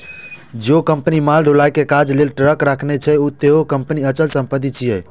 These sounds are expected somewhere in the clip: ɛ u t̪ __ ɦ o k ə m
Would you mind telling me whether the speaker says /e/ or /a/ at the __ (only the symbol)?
e